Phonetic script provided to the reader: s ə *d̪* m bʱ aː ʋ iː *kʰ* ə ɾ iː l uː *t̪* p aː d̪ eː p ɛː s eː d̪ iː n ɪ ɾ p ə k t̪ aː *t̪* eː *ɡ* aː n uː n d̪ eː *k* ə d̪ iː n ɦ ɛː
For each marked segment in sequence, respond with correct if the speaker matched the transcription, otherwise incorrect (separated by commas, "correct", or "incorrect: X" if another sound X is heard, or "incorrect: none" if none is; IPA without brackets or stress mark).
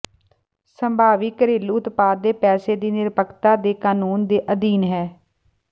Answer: incorrect: none, incorrect: k, correct, incorrect: d̪, incorrect: k, incorrect: ʔ